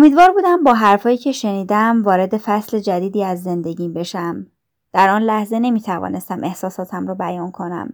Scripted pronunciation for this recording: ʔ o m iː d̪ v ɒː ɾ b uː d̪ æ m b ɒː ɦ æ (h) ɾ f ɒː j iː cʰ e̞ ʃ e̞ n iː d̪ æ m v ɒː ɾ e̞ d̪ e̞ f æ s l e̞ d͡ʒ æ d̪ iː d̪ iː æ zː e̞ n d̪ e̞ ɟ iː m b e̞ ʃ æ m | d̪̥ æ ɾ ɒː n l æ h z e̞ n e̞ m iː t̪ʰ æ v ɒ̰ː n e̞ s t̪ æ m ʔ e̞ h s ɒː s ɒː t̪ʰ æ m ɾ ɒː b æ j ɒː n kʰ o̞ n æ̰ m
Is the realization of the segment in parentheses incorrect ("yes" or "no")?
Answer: yes